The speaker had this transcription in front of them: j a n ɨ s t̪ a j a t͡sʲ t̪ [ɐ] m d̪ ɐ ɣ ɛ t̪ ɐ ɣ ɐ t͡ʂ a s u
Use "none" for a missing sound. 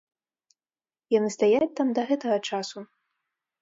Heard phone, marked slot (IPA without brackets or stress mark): a